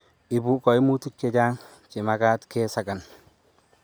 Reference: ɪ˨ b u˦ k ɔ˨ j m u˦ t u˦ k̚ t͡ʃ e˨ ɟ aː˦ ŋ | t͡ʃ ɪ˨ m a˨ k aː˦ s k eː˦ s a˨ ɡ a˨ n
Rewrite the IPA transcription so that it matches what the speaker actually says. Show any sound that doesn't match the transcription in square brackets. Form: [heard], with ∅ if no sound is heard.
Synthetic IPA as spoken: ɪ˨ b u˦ k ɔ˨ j m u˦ t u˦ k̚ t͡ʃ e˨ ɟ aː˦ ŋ | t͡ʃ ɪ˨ m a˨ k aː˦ [t] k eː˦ s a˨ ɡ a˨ n